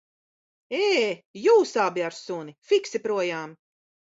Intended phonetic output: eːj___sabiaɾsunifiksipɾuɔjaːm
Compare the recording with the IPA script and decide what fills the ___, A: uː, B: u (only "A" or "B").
A